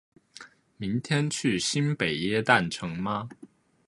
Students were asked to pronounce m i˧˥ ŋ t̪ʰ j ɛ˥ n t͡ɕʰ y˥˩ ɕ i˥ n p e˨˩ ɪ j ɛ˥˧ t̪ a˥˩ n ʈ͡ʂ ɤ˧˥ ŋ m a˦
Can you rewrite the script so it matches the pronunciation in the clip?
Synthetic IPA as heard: m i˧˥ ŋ t̪ʰ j ɛ˥ n t͡ɕʰ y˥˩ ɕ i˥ n p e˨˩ ɪ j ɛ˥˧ t̪ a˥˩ n ʈ͡ʂʰ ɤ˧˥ ŋ m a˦